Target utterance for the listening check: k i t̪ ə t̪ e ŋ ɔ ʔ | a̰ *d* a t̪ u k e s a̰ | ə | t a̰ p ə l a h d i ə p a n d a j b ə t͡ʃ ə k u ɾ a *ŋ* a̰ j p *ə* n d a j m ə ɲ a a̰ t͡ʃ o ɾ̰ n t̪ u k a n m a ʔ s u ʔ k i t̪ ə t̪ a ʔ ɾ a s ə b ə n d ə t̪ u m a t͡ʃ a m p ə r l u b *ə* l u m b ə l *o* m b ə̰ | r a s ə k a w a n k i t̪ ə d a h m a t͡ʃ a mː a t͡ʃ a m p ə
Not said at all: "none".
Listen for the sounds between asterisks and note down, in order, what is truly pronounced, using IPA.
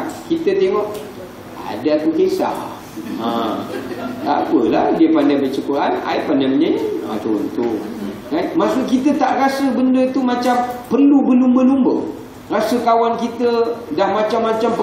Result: d, n, a, ə, u

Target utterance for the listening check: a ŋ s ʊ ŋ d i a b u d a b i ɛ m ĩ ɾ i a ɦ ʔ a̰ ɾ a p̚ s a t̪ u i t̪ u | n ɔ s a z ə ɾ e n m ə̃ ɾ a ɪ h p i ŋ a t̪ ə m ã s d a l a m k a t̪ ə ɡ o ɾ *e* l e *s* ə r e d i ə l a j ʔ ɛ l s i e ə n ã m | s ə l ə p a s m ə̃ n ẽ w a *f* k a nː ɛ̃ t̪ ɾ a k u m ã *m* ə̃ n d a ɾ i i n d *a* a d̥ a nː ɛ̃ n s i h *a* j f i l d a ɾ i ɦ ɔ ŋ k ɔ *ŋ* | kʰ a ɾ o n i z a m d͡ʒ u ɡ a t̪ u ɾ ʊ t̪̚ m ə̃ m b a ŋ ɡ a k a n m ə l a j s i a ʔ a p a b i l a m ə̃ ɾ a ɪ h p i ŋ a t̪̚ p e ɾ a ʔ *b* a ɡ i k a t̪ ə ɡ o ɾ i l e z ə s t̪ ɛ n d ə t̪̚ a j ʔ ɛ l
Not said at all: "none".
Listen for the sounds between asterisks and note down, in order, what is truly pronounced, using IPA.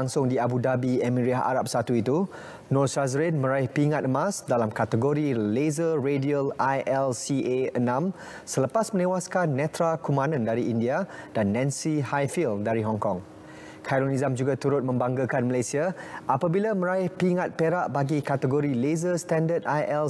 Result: i, z, s, n, i, a, ŋ, b

